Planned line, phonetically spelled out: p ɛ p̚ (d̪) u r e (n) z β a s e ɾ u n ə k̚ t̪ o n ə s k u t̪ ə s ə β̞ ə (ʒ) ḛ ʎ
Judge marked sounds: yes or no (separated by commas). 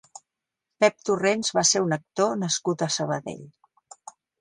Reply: no, yes, no